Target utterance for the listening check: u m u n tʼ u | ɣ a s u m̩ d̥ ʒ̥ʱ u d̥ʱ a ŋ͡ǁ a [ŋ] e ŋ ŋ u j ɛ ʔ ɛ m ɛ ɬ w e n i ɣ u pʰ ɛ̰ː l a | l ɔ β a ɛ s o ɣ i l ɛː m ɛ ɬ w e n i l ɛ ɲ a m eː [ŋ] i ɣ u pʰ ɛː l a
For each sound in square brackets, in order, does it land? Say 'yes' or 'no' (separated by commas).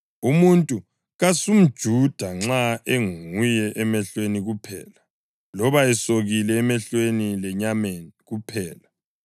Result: no, no